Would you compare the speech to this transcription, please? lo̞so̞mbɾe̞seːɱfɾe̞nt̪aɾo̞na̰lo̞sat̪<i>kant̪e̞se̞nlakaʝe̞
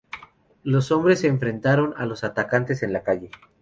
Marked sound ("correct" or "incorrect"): incorrect